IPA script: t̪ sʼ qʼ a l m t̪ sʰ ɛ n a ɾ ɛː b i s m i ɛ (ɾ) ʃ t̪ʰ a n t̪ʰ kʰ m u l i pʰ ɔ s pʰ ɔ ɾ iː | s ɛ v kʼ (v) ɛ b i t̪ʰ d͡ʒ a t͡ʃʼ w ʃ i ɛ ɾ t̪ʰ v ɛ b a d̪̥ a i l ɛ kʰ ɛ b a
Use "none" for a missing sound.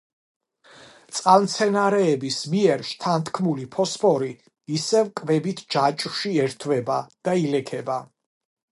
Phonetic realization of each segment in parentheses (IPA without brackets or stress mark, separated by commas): ɾ, v